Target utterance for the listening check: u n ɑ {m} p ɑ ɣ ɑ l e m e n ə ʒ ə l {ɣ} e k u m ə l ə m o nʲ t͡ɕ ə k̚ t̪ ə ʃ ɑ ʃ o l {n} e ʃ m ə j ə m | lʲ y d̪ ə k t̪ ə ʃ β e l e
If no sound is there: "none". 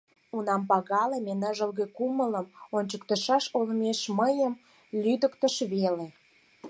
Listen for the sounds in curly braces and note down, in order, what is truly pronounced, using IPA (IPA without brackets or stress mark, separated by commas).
m, ɣ, m